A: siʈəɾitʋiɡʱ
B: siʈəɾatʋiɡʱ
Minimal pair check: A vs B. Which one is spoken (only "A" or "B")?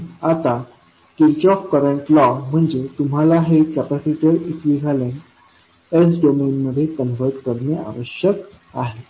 A